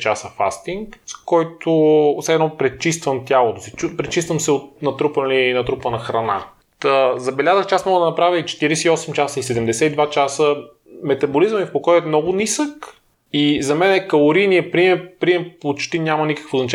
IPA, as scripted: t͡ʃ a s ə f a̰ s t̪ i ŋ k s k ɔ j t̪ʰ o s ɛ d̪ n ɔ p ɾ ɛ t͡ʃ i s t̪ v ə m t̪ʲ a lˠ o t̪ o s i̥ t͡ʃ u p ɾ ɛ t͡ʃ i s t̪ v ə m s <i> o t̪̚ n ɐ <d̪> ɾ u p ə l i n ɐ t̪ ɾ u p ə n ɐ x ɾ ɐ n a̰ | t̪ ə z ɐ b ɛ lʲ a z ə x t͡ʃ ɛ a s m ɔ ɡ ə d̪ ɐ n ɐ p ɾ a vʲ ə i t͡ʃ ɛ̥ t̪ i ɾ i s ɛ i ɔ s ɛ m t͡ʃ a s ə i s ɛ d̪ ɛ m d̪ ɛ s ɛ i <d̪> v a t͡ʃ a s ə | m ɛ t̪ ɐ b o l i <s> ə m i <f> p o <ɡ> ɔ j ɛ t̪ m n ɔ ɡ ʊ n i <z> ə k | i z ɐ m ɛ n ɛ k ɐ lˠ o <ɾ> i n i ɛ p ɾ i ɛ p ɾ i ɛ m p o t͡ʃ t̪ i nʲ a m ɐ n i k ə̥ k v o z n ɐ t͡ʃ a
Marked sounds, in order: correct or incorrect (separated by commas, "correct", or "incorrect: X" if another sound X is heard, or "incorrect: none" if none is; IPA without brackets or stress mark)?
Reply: incorrect: ɛ, incorrect: t̪, correct, incorrect: z, correct, incorrect: k, incorrect: s, correct